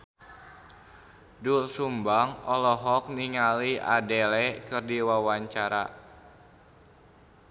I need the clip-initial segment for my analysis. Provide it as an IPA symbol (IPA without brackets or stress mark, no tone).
d